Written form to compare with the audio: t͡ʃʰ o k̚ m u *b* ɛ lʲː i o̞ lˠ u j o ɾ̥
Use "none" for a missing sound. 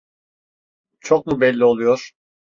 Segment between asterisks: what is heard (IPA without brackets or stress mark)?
b